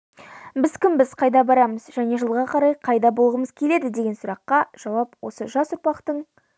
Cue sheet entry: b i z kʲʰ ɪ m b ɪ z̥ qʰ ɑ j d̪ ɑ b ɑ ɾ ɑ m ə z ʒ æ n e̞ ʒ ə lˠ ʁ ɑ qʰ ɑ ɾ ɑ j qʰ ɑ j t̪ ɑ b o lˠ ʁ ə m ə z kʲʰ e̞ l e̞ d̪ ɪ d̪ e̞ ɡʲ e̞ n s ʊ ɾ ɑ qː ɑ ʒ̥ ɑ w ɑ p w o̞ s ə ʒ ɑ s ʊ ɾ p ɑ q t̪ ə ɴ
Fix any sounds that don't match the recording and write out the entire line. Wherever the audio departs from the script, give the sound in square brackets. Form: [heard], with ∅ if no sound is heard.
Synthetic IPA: b [ɪ] z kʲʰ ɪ m b ɪ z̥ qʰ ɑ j d̪ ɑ b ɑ ɾ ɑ m ə z ʒ æ n e̞ ʒ ə lˠ ʁ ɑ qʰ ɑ ɾ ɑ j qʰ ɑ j [d̪] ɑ b o lˠ ʁ ə m ə z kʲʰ e̞ l e̞ d̪ ɪ d̪ e̞ ɡʲ e̞ n s ʊ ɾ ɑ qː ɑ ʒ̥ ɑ w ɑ p w o̞ s ə ʒ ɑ s ʊ ɾ p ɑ q t̪ ə ɴ